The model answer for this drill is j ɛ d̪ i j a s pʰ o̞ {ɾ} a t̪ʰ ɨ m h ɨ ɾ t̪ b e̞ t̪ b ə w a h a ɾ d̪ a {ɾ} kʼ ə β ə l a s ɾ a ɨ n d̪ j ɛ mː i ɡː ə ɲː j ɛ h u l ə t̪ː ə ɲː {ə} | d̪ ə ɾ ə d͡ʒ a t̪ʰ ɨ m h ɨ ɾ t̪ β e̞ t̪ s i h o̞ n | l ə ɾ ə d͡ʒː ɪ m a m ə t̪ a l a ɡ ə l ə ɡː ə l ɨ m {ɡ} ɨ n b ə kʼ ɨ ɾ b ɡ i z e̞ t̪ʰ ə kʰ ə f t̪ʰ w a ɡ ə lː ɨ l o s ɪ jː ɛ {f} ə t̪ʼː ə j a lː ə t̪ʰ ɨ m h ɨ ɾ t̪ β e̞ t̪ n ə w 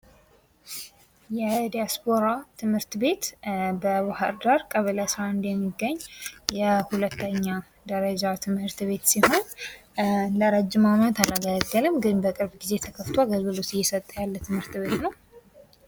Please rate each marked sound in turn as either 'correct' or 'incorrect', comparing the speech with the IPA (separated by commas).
correct, correct, incorrect, correct, incorrect